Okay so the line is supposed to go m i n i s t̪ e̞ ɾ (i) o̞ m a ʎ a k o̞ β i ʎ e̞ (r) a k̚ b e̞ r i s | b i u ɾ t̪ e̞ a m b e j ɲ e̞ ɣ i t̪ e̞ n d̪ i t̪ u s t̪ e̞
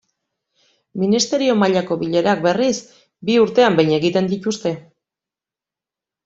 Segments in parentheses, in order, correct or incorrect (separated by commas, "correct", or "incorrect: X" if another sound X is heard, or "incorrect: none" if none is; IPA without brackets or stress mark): correct, incorrect: ɾ